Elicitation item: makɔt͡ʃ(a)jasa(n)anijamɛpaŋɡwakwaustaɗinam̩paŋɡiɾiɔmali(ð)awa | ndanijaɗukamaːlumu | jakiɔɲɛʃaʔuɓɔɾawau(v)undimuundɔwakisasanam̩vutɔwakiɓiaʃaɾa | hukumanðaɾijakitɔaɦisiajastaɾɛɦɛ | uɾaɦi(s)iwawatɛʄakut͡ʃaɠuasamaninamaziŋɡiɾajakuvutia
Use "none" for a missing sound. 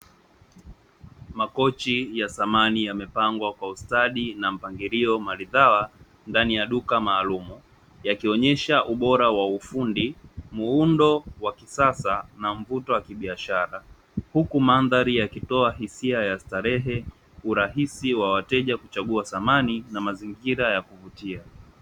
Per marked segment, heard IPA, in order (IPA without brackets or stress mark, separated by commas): i, m, ð, f, s